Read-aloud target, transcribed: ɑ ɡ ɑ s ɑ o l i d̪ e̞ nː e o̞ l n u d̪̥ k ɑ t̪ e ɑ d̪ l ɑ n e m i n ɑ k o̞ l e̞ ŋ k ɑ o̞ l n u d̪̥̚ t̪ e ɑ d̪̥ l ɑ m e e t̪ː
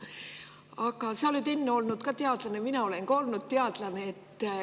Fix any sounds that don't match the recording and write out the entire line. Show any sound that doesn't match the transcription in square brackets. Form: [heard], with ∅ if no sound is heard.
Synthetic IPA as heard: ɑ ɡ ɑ s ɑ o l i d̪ e̞ nː e o̞ l n u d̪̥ k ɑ t̪ e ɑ d̪ l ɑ n e m i n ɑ [∅] o̞ l e̞ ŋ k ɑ o̞ l n u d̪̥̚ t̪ e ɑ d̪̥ l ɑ [n] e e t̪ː

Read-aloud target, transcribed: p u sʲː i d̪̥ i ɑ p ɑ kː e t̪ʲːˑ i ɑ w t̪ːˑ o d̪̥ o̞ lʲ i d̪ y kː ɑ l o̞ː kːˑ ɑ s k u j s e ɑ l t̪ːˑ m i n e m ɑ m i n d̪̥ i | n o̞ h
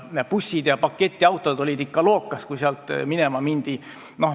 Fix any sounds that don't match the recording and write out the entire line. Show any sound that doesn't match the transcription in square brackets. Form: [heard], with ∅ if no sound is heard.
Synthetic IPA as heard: p u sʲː i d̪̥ [j] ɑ p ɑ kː e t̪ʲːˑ i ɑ w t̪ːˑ o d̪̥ o̞ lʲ i d̪ [i] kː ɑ l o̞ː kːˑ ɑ s k u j s e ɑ l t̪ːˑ m i n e m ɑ m i n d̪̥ i | n o̞ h

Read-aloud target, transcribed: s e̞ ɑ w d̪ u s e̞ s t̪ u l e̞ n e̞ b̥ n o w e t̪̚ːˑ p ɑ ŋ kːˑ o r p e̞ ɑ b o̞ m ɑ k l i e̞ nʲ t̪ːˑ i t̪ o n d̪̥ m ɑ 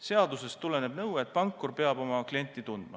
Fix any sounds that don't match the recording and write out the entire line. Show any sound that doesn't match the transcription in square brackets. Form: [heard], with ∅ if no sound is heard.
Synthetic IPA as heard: s e̞ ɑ [∅] d̪ u s e̞ s t̪ u l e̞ n e̞ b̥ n [ɤ] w e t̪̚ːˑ p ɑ ŋ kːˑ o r p e̞ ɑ b o̞ m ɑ k l i e̞ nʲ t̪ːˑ i t̪ [u] n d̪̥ m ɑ

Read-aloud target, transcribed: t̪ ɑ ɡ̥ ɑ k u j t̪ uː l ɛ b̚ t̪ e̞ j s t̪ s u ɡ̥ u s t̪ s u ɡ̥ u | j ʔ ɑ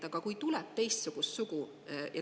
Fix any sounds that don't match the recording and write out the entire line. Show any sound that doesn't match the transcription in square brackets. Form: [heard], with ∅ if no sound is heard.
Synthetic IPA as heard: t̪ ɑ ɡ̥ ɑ k u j t̪ [u] l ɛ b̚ t̪ e̞ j s t̪ s u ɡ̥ u s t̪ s u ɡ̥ u | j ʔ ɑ

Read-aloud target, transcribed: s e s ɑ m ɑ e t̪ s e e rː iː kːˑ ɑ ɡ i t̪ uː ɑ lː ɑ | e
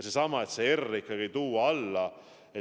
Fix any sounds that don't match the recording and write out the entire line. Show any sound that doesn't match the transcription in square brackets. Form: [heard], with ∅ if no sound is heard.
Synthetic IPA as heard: s e s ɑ m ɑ e t̪ s e e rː [i] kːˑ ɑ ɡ i t̪ uː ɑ lː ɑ | e

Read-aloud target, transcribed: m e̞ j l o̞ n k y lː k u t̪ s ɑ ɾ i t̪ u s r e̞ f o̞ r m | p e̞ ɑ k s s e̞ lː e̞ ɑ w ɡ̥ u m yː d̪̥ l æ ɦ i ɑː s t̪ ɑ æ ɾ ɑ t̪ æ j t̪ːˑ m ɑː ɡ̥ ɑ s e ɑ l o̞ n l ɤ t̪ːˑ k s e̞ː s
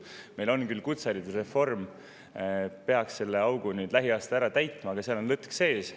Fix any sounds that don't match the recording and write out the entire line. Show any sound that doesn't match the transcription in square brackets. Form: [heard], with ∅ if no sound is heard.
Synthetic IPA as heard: m e̞ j l o̞ n k y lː k u t̪ s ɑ ɾ i t̪ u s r e̞ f o̞ r m | p e̞ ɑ k s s e̞ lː e̞ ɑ w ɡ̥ u [n] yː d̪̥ l æ ɦ i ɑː s t̪ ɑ æ ɾ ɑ t̪ æ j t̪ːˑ m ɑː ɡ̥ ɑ s e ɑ l o̞ n l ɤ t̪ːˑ k s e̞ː s

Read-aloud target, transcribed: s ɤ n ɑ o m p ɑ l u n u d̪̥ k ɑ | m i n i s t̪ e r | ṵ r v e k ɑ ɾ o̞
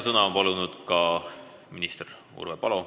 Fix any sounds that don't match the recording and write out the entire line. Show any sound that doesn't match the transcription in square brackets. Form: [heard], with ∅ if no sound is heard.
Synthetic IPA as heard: s ɤ n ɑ o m p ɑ l u n u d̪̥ k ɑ | m i n i s t̪ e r | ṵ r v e [p] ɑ [l] o̞

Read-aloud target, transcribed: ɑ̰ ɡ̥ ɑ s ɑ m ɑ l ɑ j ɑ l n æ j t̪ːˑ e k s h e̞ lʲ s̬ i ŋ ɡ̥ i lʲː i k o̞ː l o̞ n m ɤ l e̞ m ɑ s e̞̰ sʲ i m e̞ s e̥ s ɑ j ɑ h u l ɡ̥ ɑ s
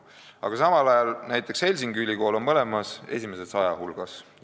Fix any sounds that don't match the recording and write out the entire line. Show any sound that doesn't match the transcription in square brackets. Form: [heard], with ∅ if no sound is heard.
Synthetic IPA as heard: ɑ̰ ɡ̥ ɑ s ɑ m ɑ l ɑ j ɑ l n æ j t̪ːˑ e k s h e̞ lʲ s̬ i ŋ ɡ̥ [y] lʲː i k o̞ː l o̞ n m ɤ l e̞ m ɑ s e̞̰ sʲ i m e̞ s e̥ s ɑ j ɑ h u l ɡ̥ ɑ s

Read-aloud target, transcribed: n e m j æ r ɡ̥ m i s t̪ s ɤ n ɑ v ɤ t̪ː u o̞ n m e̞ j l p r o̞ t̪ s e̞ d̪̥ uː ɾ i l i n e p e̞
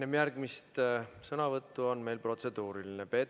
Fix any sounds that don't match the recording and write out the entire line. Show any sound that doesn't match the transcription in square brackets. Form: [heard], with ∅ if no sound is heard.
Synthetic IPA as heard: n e m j æ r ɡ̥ m i s t̪ s ɤ n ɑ v ɤ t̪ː u o̞ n m e̞ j l p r o̞ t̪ s e̞ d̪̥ uː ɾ i l i n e p e̞

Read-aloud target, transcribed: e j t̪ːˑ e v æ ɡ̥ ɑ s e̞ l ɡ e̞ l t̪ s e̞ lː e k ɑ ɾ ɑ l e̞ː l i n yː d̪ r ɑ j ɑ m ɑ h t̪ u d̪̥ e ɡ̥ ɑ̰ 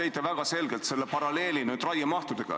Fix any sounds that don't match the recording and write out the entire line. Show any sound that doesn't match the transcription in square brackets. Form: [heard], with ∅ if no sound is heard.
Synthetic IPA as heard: e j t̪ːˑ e v æ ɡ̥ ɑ s e̞ l ɡ e̞ l t̪ s e̞ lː e [p] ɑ ɾ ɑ l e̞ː l i n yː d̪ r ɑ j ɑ m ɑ h t̪ u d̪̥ e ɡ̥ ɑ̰

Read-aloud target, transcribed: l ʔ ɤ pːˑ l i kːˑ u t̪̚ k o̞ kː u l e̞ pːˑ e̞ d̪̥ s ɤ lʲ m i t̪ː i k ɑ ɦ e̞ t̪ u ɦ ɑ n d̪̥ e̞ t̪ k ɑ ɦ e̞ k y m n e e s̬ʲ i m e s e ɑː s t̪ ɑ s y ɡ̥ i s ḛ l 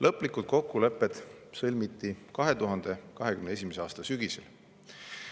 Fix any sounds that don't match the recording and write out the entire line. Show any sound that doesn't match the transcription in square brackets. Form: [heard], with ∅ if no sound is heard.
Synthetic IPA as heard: l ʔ ɤ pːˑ l i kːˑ u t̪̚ k o̞ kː u l e̞ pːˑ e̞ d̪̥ s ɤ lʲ m i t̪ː i k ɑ ɦ e̞ t̪ u ɦ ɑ n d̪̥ e̞ [∅] k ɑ ɦ e̞ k y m n e e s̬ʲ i m e s e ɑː s t̪ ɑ s y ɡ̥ i s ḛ l

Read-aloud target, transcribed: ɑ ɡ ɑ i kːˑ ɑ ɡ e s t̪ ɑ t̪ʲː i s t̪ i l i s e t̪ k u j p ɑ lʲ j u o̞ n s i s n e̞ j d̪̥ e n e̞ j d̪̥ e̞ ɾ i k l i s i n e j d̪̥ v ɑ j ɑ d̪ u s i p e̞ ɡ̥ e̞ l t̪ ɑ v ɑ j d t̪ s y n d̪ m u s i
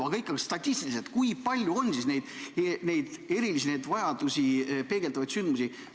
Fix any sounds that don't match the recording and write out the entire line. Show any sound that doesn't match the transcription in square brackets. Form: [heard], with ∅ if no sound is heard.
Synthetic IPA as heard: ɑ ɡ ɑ i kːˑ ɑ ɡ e s t̪ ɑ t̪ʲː i s t̪ i l i s e t̪ k u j p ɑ lʲ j u o̞ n s i s n e̞ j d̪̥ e n e̞ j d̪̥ e̞ ɾ i [∅] l i s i n e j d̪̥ v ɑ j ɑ d̪ u s i p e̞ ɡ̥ e̞ l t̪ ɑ v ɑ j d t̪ s y n d̪ m u s i

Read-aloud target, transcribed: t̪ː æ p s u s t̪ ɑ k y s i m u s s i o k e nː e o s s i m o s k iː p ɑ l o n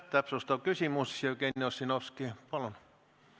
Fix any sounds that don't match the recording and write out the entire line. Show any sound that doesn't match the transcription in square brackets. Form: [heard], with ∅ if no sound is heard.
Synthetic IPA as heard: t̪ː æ p s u s t̪ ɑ k y s i m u s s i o k e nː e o s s i [n] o s k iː p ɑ l o n

